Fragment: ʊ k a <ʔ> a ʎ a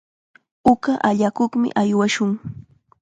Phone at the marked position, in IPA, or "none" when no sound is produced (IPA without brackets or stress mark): ʔ